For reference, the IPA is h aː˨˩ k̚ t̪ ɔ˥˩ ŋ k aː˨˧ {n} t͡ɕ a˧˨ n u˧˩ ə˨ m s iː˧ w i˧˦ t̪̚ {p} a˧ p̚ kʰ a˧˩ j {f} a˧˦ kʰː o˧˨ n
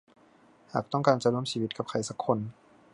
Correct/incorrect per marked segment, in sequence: correct, incorrect: k, incorrect: s

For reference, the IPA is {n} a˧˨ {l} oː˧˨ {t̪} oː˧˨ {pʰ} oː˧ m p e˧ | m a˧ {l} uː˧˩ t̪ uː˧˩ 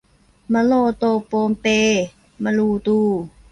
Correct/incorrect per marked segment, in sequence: incorrect: m, correct, correct, incorrect: p, correct

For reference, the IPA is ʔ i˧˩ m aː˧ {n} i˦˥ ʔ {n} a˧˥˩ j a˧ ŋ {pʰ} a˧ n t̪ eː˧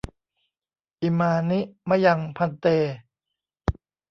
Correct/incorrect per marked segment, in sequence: correct, incorrect: m, correct

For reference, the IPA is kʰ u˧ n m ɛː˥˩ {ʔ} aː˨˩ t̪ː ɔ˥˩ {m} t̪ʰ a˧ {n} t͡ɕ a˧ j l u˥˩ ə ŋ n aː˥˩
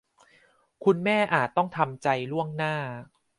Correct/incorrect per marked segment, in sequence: correct, incorrect: ŋ, incorrect: m

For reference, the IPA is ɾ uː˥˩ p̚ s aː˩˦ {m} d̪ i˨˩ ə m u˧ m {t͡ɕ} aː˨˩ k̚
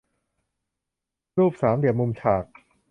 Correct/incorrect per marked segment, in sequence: correct, incorrect: t͡ɕʰ

